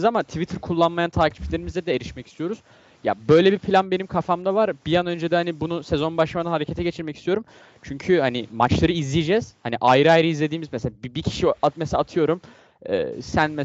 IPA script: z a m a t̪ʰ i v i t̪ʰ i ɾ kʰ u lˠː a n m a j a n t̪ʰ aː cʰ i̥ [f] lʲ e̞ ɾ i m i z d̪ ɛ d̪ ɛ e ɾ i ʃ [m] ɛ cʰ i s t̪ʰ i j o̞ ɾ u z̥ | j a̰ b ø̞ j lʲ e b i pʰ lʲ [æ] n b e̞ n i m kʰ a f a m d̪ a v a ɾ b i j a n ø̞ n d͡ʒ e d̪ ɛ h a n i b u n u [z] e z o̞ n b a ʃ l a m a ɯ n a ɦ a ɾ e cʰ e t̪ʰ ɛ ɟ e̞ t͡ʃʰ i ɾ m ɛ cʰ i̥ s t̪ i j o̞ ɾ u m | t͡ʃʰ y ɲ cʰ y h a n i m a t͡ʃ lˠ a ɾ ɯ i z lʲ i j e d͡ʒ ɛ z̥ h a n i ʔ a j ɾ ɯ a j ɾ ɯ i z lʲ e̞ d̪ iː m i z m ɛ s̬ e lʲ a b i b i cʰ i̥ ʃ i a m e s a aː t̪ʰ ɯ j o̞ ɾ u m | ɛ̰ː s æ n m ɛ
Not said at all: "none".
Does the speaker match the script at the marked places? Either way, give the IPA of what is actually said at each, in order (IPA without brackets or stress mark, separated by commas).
f, m, a, s